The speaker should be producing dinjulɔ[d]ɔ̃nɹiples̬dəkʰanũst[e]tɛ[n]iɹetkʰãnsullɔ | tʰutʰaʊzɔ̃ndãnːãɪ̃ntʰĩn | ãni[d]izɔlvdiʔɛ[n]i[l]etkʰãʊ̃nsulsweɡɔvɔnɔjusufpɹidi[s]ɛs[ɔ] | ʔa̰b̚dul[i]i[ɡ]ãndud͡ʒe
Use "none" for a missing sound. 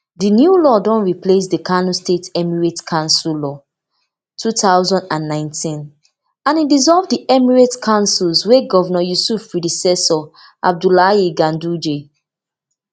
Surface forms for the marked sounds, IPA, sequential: d, e, m, d, m, ɹ, s, ɔ, a, ɡ

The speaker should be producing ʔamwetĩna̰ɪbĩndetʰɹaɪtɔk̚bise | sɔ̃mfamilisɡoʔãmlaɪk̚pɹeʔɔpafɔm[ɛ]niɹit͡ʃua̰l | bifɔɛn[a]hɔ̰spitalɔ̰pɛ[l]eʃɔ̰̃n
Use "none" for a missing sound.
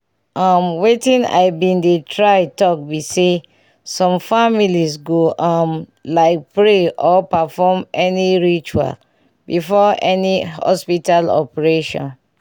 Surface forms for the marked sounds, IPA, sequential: ɛ, i, ɹ

